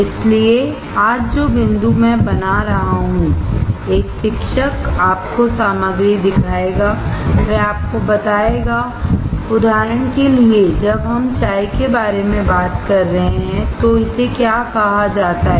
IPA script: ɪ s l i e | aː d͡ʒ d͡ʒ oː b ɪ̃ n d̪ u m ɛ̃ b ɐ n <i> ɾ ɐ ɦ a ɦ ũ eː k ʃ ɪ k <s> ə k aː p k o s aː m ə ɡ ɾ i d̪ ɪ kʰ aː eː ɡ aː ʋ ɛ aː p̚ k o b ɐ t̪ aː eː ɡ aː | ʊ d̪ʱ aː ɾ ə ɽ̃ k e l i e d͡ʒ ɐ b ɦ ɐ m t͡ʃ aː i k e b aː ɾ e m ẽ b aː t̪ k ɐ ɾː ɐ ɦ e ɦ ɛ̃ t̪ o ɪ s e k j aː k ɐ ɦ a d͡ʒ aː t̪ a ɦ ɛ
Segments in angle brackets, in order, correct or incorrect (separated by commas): incorrect, incorrect